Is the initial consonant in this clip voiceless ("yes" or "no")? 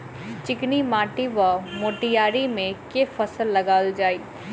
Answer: yes